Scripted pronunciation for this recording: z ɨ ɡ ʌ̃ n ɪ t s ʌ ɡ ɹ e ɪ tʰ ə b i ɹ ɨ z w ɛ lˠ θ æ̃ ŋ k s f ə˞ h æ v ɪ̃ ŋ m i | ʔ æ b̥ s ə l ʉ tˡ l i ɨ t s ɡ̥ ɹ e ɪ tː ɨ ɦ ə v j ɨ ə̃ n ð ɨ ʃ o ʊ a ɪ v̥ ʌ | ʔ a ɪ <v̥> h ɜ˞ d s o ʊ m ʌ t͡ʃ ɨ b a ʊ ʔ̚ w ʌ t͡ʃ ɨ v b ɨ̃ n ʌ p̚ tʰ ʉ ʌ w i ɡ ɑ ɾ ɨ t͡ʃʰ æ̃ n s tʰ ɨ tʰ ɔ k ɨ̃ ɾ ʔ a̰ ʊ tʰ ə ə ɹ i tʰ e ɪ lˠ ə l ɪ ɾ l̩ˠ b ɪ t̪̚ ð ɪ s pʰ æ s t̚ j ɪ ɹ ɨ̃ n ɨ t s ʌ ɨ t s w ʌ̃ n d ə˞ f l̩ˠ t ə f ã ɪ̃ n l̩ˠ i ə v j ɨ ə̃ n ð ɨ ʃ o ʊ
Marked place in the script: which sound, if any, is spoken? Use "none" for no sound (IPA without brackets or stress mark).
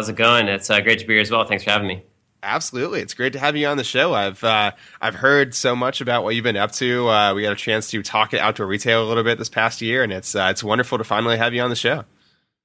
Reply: v̥